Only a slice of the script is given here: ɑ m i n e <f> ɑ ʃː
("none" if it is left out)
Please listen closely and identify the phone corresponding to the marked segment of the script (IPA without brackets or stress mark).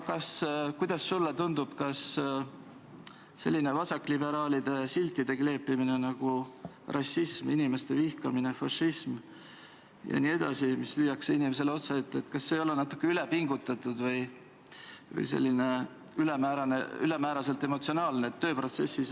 f